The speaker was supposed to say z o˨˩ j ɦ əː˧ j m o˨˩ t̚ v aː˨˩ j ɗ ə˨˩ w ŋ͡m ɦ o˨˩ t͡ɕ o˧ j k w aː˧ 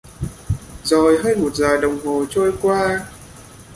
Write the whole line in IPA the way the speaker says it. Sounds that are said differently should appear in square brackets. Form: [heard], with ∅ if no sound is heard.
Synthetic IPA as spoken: z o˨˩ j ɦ əː˧ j m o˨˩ t̚ [z] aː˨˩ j ɗ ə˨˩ w ŋ͡m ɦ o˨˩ t͡ɕ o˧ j k w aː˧